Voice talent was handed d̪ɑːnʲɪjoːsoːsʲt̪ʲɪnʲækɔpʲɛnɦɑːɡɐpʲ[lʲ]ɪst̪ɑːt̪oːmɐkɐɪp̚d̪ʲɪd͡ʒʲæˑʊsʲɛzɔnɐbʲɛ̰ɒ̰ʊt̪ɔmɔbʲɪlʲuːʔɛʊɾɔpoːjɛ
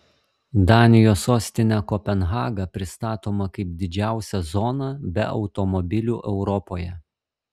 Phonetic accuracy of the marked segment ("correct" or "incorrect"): incorrect